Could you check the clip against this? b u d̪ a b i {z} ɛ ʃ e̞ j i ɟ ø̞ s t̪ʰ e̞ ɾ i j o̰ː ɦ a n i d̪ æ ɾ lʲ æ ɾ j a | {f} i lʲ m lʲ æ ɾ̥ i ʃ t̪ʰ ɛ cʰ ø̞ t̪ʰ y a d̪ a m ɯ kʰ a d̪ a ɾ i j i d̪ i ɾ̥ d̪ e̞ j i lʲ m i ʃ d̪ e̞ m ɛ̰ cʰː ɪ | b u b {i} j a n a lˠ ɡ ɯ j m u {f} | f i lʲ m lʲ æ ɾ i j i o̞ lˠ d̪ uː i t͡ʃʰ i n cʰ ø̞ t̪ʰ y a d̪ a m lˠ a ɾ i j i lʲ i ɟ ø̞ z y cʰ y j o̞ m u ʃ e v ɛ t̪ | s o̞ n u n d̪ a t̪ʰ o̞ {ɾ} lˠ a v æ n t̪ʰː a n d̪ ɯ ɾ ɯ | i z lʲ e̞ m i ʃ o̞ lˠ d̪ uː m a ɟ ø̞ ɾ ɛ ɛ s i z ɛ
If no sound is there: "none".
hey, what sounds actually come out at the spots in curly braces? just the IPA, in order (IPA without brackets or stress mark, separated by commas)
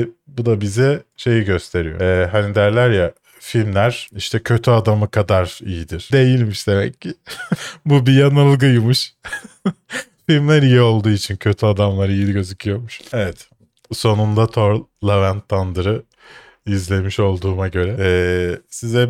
z, f, i, ʃ, ɾ